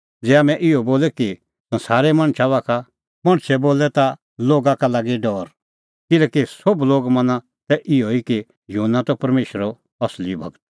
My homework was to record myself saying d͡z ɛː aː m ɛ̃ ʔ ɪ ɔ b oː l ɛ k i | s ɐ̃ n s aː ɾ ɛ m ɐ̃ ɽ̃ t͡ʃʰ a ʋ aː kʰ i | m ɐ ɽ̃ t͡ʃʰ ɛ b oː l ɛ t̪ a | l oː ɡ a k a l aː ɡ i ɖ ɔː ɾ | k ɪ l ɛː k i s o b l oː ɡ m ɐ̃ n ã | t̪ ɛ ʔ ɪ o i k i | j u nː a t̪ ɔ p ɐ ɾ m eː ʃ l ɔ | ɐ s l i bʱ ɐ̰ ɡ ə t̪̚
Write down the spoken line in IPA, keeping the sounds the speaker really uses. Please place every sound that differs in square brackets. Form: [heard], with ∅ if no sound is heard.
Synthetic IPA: d͡z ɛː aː m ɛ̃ ʔ ɪ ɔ b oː l ɛ k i | s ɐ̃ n s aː ɾ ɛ m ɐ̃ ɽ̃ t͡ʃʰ a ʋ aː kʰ [a] | m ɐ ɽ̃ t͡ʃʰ ɛ b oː l ɛ t̪ a | l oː ɡ a k a l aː ɡ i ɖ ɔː ɾ | k ɪ l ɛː k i s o b l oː ɡ m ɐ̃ n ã | t̪ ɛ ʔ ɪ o i k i | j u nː a t̪ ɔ p ɐ ɾ m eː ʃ [ɾ] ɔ | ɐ s l i bʱ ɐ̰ ɡ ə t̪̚

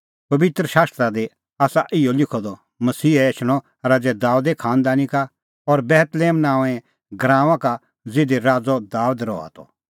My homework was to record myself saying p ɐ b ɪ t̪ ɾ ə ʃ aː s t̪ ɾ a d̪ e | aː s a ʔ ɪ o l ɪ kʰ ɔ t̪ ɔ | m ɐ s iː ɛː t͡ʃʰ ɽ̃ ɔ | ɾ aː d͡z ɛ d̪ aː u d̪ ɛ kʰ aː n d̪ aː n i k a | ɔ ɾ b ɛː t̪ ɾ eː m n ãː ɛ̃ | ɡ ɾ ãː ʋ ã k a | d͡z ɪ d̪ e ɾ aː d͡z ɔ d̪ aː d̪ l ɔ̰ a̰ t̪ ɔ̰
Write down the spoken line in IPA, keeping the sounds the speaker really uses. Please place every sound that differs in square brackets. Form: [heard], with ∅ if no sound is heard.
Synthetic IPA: p ɐ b ɪ t̪ ɾ ə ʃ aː s t̪ ɾ a d̪ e | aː s a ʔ ɪ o l ɪ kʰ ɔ [d̪] ɔ | m ɐ s iː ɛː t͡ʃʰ ɽ̃ ɔ | ɾ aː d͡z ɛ d̪ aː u d̪ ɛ kʰ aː n d̪ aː n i k a | ɔ ɾ b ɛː t̪ [l] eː m n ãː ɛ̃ | ɡ ɾ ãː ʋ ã k a | d͡z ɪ d̪ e ɾ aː d͡z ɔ d̪ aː d̪ [ɾ] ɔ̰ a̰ t̪ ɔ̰

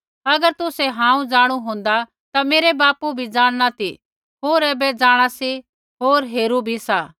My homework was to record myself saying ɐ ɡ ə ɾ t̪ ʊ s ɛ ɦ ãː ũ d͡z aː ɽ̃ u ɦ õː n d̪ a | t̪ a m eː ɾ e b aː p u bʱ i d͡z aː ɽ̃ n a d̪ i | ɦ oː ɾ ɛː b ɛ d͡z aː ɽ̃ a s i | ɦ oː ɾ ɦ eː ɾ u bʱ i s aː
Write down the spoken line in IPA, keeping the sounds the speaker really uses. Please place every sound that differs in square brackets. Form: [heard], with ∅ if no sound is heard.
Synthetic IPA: ɐ ɡ ə ɾ t̪ ʊ s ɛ ɦ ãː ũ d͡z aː ɽ̃ u ɦ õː n d̪ a | t̪ a m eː ɾ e b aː p u bʱ i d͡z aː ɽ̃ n a [t̪] i | ɦ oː ɾ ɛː b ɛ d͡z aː ɽ̃ a s i | ɦ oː ɾ ɦ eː ɾ u bʱ i s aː

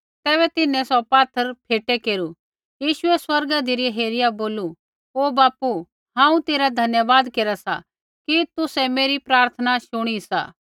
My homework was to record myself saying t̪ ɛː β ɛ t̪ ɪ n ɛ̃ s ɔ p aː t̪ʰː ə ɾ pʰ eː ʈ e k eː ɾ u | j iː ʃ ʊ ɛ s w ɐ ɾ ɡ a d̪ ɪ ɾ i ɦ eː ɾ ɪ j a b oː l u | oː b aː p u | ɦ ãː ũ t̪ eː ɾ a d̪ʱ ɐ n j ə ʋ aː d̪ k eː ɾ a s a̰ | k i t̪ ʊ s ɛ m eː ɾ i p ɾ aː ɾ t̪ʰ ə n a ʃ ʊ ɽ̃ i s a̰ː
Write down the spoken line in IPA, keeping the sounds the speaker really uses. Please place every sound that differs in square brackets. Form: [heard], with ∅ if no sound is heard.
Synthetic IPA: t̪ ɛː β ɛ t̪ ɪ n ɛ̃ s ɔ p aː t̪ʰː ə ɾ pʰ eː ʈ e k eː ɾ u | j iː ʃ ʊ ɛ s w ɐ ɾ ɡ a d̪ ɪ ɾ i ɦ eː ɾ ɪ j a b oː l u | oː b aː p u | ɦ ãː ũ t̪ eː ɾ a d̪ʱ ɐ n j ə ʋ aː d̪ k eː ɾ a s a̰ | k i t̪ ʊ s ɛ m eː ɾ i p ɾ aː ɾ t̪ʰ ə n a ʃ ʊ ɽ̃ i s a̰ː

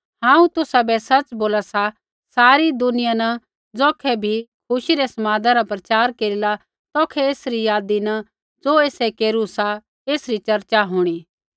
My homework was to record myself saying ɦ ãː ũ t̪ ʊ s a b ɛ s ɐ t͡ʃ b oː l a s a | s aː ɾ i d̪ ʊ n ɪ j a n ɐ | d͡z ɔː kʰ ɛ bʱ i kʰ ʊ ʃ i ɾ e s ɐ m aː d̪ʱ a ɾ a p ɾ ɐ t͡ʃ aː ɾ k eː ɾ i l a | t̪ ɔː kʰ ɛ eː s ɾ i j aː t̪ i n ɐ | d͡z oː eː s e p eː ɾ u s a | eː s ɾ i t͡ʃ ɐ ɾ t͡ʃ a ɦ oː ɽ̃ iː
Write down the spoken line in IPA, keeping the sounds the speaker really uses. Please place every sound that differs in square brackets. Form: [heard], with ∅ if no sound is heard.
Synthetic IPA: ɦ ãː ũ t̪ ʊ s a b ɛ s ɐ t͡ʃ b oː l a s a | s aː ɾ i d̪ ʊ n ɪ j a n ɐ | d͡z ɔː kʰ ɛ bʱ i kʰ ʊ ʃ i ɾ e s ɐ m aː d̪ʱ a ɾ a p ɾ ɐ t͡ʃ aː ɾ k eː ɾ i l a | t̪ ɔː kʰ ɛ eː s ɾ i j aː [d̪] i n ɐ | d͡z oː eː s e [k] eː ɾ u s a | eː s ɾ i t͡ʃ ɐ ɾ t͡ʃ a ɦ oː ɽ̃ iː

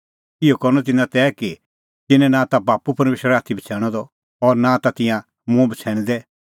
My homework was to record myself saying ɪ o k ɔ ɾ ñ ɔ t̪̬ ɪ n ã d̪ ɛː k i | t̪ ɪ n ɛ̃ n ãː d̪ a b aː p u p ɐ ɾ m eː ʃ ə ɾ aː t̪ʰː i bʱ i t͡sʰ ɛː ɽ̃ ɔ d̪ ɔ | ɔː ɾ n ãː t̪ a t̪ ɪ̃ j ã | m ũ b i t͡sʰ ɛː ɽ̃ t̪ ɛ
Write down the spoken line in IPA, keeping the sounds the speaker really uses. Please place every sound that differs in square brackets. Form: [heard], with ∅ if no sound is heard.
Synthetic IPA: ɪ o k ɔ ɾ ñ ɔ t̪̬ ɪ n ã [t̪] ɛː k i | t̪ ɪ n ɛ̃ n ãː [t̪] a b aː p u p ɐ ɾ m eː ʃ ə ɾ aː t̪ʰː i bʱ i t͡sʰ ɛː ɽ̃ ɔ d̪ ɔ | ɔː ɾ n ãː t̪ a t̪ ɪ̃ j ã | m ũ b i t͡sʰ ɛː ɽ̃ [d̪] ɛ

